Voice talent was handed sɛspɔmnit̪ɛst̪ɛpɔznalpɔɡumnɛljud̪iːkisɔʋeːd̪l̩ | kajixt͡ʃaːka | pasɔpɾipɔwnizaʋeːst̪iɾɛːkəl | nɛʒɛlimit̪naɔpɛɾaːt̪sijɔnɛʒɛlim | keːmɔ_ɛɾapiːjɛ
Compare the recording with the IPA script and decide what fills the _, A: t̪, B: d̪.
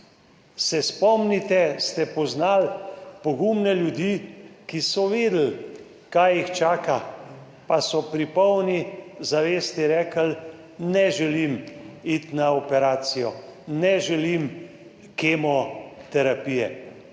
A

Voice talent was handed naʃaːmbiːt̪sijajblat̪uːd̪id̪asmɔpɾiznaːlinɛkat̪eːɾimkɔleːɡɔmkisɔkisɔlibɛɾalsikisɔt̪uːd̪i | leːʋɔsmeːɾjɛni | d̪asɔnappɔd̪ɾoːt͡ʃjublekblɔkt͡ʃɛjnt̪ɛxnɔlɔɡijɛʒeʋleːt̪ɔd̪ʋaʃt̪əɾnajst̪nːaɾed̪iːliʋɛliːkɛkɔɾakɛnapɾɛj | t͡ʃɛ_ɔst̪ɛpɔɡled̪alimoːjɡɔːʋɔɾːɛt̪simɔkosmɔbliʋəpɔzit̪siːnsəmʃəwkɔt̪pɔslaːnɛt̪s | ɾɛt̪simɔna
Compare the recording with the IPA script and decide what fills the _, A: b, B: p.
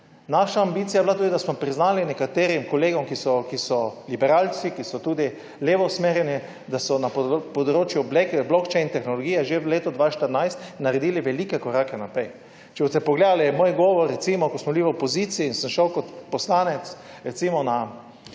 A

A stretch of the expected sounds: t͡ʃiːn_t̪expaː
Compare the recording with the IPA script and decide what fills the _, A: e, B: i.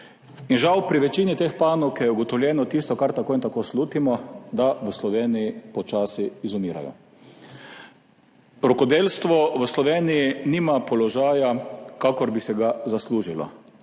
B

